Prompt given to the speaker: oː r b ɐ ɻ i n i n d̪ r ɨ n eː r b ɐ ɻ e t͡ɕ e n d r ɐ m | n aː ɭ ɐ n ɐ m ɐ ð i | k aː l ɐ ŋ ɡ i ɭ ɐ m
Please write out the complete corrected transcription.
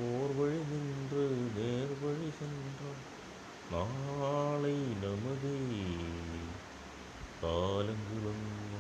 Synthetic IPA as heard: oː r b ɐ ɻ i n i n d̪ r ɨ n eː r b ɐ ɻ i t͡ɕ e n d r ɐ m | n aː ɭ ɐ n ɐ m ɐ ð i | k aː l ɐ ŋ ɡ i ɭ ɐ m